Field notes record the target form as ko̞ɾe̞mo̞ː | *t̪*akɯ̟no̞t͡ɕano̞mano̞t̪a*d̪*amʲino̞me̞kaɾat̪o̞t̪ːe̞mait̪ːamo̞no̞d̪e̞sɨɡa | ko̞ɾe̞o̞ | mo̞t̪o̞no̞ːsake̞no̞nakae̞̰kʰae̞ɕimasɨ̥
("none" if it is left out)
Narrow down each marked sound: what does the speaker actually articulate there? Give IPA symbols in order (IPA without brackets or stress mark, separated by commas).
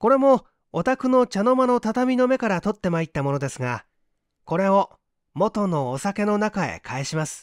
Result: t̪, t̪